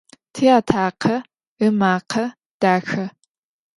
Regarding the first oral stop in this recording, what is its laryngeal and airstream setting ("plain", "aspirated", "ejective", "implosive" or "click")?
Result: aspirated